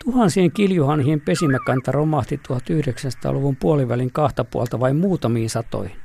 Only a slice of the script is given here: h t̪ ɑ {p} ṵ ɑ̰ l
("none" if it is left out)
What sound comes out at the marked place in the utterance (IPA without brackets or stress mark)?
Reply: p